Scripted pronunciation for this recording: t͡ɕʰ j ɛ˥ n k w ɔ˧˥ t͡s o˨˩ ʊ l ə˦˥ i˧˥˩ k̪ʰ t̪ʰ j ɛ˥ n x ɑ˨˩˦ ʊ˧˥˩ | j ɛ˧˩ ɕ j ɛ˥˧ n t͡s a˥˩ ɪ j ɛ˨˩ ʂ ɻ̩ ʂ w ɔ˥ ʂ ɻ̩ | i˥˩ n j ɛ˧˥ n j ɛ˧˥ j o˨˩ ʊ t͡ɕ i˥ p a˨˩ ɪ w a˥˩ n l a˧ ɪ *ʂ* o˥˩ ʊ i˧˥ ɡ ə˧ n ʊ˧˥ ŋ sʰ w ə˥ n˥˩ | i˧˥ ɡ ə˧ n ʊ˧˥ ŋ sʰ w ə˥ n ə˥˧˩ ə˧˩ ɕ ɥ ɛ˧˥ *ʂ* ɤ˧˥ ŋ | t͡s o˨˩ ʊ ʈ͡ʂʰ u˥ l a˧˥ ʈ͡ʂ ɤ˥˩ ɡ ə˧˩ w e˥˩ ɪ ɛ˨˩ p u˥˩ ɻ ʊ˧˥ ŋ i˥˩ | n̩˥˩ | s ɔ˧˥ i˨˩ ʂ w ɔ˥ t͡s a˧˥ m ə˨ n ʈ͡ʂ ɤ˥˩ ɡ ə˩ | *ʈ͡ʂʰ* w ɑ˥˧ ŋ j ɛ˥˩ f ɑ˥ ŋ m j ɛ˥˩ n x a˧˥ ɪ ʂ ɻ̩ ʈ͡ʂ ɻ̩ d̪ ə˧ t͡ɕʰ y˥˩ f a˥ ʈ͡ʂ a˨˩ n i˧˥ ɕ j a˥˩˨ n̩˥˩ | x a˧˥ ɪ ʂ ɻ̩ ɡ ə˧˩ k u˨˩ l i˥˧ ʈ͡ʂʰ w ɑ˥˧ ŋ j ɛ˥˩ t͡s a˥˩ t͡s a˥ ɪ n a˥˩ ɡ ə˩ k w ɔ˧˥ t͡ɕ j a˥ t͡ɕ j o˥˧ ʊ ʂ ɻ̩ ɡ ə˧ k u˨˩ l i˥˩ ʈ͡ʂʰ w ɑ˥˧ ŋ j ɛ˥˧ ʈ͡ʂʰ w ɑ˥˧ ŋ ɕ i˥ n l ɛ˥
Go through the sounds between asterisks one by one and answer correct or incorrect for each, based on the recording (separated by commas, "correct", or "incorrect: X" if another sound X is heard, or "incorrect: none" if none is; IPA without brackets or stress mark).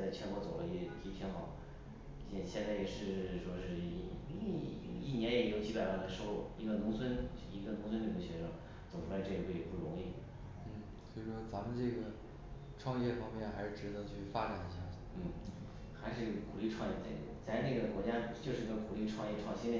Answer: correct, correct, correct